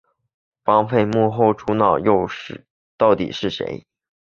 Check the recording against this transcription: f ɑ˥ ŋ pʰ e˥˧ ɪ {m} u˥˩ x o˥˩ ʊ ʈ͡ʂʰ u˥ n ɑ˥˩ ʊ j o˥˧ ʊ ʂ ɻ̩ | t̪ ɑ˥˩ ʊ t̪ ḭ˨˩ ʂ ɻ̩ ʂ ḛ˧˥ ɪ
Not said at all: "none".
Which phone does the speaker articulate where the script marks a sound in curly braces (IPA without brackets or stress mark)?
m